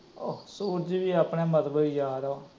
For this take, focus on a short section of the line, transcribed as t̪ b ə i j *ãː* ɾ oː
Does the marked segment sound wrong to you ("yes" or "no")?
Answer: yes